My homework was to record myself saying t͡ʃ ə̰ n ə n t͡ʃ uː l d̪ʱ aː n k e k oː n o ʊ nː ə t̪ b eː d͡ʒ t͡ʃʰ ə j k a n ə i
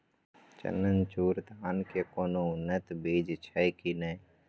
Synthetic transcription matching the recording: t͡ʃ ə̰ n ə n t͡ʃ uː ɾ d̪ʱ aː n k e k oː n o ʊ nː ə t̪ b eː d͡ʒ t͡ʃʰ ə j k i n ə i